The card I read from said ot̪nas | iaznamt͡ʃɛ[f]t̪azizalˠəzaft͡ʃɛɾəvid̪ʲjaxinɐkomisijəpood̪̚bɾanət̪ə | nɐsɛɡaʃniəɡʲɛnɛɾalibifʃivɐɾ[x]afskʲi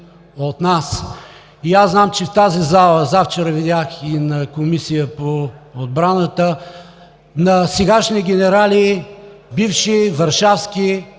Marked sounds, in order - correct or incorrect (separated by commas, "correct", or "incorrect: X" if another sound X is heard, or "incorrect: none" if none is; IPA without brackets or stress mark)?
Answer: correct, incorrect: ʃ